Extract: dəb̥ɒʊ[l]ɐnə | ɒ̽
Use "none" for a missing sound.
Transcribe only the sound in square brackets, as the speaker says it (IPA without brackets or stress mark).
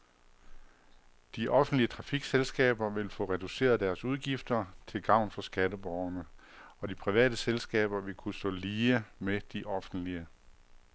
none